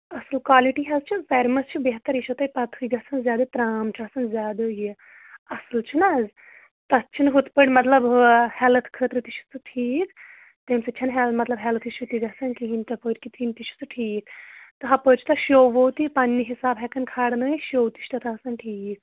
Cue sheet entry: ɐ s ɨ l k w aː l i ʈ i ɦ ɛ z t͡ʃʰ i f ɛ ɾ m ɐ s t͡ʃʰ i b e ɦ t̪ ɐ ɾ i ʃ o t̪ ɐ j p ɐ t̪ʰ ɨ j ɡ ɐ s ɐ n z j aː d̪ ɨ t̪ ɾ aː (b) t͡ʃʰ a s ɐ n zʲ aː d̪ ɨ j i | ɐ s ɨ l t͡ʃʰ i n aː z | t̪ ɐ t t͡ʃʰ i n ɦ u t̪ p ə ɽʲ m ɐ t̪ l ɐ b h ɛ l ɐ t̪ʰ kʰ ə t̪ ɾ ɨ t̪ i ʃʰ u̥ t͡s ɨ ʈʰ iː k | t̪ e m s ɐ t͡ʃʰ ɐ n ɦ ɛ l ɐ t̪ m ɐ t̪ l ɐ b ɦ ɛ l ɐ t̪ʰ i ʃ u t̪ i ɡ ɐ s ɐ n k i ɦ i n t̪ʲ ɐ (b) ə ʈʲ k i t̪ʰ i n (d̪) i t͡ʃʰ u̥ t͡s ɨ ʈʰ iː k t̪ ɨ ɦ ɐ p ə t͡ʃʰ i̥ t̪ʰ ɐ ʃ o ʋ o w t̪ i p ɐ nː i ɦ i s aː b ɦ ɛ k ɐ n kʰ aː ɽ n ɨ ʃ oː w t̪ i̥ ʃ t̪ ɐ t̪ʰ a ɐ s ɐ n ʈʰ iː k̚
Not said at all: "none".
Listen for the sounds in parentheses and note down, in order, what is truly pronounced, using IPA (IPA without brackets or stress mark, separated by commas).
m, p, t̪